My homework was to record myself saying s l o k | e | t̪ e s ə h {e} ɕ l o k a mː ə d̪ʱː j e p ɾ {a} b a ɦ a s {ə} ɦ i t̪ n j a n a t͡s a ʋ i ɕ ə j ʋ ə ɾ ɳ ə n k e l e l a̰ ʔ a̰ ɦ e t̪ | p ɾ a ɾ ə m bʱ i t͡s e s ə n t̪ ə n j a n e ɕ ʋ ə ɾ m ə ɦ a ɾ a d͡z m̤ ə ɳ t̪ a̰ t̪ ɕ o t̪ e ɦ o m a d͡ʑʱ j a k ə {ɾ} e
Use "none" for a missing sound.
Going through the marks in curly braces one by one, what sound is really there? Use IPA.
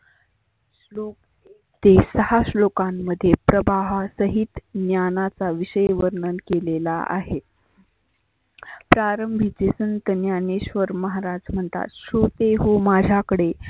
a, ə, ə, ɽ

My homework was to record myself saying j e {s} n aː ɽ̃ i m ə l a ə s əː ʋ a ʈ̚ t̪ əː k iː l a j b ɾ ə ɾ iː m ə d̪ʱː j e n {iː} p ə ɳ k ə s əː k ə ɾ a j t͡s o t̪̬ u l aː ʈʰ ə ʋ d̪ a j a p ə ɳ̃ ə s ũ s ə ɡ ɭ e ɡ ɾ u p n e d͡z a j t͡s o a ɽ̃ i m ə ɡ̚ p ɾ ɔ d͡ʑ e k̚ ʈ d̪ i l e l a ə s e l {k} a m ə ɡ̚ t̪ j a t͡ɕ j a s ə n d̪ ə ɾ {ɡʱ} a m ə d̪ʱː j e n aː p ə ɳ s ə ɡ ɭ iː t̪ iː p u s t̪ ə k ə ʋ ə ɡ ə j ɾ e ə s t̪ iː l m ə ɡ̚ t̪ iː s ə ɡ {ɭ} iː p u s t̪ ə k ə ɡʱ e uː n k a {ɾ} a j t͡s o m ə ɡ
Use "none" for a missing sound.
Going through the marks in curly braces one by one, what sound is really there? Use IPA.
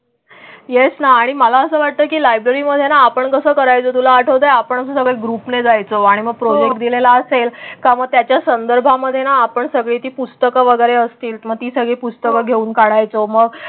s, aː, k, bʱ, ɭ, ɽ

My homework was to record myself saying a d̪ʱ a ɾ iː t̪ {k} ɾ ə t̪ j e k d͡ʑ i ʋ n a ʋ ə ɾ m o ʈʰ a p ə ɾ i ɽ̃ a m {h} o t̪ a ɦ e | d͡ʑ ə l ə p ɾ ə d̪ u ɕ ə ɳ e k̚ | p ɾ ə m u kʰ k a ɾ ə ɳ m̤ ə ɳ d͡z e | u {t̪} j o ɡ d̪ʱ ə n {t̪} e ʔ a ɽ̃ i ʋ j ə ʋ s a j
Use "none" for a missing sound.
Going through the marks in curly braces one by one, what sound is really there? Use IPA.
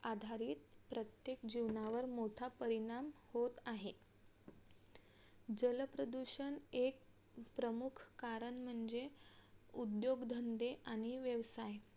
p, h, d̪, d̪

